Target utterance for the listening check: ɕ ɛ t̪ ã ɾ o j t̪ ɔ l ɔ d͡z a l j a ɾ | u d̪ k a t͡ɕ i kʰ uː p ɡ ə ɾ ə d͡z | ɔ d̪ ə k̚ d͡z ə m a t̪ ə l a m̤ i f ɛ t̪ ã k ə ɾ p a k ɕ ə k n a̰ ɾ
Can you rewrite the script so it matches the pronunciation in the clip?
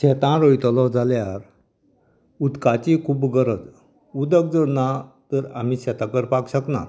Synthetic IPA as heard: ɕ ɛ t̪ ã ɾ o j t̪ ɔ l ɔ d͡z a l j a ɾ | u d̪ k a t͡ɕ i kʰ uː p ɡ ə ɾ ə d͡z | u d̪ ə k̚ d͡z ə n a t̪ ə ɾ a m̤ i ɕ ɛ t̪ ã k ə ɾ p a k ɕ ə k n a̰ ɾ